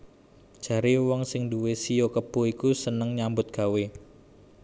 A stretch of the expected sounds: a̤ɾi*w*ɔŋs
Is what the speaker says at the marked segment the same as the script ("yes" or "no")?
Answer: yes